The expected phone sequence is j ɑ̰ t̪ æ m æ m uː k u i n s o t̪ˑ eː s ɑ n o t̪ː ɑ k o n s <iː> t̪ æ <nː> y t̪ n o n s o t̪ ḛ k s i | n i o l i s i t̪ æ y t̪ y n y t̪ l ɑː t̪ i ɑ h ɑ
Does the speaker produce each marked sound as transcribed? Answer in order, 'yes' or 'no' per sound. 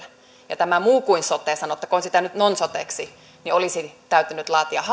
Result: no, no

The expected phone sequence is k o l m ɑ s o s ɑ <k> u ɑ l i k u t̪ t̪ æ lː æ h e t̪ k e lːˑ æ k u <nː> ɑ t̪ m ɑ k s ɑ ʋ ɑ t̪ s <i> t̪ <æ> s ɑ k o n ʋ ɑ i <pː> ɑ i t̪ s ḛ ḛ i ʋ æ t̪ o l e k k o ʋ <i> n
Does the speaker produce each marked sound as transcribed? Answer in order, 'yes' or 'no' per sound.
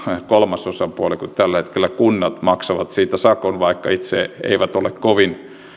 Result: no, yes, no, yes, no, yes

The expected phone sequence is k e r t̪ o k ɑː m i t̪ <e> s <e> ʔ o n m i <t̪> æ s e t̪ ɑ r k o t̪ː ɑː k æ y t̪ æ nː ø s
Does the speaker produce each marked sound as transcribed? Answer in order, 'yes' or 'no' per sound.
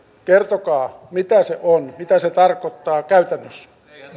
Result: no, yes, yes

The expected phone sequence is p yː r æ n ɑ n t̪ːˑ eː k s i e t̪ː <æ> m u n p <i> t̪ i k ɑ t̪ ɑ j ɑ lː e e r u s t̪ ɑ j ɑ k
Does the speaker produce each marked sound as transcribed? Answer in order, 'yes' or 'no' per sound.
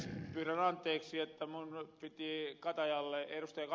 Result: yes, yes

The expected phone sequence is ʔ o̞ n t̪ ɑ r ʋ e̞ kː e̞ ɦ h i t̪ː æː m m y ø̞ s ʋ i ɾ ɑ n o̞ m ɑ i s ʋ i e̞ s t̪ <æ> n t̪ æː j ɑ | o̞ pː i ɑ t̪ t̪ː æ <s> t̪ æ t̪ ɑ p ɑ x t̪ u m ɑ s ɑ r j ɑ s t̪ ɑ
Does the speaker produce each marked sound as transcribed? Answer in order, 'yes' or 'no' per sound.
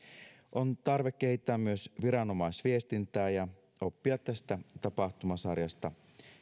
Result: no, yes

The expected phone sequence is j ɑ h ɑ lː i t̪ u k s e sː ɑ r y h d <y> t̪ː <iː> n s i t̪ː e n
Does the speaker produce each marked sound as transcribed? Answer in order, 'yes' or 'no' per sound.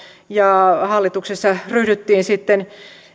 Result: yes, yes

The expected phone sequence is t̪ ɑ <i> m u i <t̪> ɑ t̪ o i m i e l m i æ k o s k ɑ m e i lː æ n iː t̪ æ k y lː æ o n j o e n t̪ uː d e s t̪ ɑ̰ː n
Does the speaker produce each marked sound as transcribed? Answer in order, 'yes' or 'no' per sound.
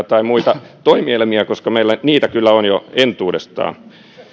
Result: yes, yes

